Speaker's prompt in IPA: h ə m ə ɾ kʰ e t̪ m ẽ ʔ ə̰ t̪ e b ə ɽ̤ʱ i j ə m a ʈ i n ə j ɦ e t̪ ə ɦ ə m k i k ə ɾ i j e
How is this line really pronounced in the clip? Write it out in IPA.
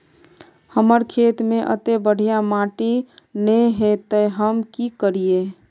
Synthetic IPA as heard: h ə m ə ɾ kʰ e t̪ m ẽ ʔ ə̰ t̪ e b ə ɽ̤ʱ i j a m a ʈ i n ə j ɦ e t̪ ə ɦ ə m k i k ə ɾ i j e